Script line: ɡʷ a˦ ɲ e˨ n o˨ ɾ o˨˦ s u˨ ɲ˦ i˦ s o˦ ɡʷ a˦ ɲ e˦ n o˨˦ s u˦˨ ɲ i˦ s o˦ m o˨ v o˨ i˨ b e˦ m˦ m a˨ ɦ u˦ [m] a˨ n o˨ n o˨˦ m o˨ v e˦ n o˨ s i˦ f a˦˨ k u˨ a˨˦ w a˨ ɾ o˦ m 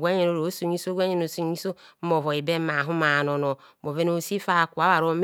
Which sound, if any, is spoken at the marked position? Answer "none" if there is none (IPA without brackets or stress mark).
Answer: m